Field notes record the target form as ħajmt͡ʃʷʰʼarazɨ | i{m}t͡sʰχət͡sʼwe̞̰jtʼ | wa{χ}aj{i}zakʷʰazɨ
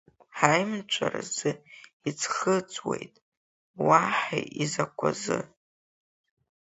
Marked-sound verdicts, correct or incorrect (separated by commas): incorrect, incorrect, correct